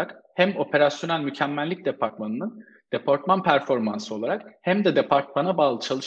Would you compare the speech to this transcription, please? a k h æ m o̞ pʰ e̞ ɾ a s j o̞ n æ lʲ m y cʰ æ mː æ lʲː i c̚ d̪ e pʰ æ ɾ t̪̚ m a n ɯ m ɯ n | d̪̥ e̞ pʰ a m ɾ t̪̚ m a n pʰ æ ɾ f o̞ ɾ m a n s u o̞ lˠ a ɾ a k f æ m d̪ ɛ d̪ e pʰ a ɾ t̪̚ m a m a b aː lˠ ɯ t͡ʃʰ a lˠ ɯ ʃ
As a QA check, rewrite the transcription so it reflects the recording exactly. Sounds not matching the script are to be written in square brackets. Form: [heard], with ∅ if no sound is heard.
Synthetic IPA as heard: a k h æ m o̞ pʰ e̞ ɾ a s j o̞ n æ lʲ m y cʰ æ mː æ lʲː i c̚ d̪ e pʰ [a] ɾ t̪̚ m a n ɯ [n] ɯ n | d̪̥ e̞ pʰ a [∅] ɾ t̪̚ m a n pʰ æ ɾ f o̞ ɾ m a n s [ɯ] o̞ lˠ a ɾ a k [h] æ m d̪ ɛ d̪ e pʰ a ɾ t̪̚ m a [n] a b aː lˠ ɯ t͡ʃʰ a lˠ ɯ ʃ